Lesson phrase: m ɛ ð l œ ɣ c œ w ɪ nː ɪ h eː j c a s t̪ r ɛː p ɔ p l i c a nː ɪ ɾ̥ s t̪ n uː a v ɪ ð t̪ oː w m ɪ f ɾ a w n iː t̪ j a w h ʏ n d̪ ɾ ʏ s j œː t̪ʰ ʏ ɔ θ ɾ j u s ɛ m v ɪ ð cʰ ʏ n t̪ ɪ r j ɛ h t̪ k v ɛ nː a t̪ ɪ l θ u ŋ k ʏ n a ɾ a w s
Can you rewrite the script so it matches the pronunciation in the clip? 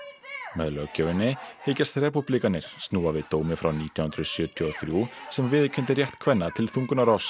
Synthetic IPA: m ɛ ð l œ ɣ c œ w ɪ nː ɪ h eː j c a s t̪ r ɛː p u p l i k a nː ɪ ɾ̥ s t̪ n uː a v ɪ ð t̪ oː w m ɪ f ɾ a w n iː t̪ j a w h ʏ n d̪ ɾ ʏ s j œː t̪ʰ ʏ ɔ θ ɾ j u s ɛ m v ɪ ð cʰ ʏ n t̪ ɪ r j ɛ h t̪ kʰ v ɛ nː a t̪ʰ ɪ l θ u ŋ k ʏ n a ɾ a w s